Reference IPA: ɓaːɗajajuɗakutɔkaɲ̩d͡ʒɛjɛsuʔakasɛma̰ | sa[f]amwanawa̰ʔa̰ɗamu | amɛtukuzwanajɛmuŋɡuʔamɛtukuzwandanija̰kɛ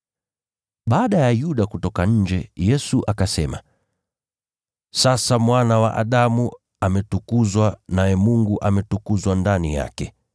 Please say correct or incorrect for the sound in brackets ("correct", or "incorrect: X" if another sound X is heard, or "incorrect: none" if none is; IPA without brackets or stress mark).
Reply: incorrect: s